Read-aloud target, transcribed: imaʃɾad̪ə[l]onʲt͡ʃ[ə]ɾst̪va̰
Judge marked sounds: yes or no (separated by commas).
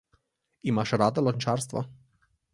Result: yes, no